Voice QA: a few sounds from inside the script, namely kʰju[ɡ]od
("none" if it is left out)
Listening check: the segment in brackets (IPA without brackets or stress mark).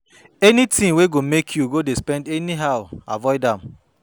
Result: ɡ